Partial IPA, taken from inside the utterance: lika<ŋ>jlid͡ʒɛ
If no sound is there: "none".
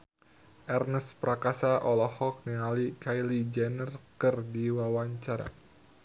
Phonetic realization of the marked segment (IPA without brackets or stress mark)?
none